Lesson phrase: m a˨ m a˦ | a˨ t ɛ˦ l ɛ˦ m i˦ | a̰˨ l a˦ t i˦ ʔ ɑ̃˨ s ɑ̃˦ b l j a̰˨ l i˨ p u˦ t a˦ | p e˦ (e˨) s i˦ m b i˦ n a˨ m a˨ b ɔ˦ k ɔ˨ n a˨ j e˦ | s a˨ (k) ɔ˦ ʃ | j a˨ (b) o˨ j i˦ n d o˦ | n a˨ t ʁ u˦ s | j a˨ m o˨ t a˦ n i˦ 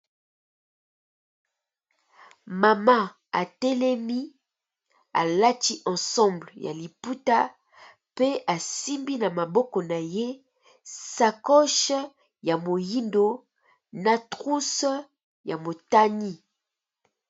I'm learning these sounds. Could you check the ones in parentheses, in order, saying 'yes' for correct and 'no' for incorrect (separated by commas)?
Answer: no, yes, no